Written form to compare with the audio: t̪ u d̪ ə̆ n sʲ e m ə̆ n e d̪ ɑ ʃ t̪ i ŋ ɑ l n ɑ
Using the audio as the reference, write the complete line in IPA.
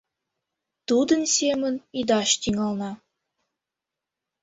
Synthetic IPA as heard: t̪ u d̪ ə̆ n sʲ e m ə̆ n i d̪ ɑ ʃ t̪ i ŋ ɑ l n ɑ